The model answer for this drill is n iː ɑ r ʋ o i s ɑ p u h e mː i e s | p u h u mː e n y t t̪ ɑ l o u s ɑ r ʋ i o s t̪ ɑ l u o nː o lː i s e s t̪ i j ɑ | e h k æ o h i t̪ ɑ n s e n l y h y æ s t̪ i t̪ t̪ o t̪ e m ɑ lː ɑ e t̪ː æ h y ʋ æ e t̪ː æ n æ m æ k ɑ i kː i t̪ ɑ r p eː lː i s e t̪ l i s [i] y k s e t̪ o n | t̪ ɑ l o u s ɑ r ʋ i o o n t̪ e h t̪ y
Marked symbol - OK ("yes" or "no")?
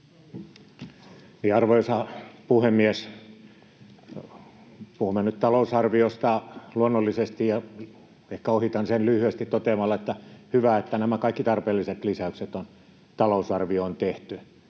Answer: no